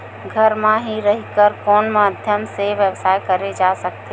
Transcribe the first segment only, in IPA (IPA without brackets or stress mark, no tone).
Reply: ɡʱ